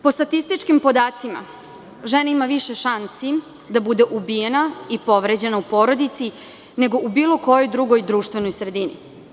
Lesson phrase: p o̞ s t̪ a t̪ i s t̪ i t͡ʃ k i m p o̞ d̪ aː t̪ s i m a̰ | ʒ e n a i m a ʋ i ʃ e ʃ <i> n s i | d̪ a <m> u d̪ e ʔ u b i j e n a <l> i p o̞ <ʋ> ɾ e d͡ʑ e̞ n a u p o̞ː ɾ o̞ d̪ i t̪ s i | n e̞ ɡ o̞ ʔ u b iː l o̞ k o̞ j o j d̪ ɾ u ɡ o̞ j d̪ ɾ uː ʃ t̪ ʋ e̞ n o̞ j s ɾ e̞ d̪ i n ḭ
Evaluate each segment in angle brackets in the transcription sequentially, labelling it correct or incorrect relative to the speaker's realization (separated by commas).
incorrect, incorrect, incorrect, correct